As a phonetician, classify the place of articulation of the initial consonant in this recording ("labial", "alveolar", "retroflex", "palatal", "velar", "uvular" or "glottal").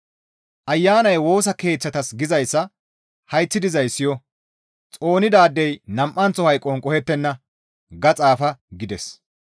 glottal